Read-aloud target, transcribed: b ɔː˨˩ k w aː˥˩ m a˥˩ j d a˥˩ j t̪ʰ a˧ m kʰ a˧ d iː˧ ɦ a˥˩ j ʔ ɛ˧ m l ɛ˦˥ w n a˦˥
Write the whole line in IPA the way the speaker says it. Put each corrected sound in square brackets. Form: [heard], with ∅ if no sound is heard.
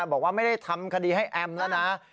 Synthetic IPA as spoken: b ɔː˨˩ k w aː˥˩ m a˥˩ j d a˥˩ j t̪ʰ a˧ m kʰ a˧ d iː˧ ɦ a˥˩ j ʔ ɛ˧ m l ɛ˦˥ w n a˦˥